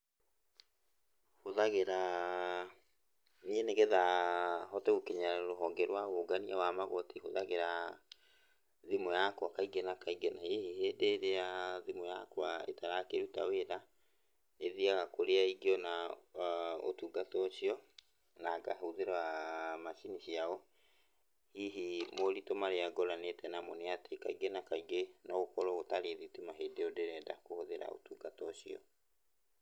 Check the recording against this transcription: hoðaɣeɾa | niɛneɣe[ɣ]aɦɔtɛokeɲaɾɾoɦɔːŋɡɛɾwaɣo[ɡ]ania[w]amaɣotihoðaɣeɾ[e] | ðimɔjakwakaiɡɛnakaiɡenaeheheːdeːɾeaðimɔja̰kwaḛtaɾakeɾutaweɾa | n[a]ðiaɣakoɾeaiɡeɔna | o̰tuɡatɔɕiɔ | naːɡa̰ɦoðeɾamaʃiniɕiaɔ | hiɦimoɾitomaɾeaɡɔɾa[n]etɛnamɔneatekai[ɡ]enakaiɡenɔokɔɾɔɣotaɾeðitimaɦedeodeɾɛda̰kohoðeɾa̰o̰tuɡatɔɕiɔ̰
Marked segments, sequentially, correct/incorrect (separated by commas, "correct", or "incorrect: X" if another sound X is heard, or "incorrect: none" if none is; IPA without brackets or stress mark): incorrect: ð, correct, correct, incorrect: a, incorrect: e, correct, correct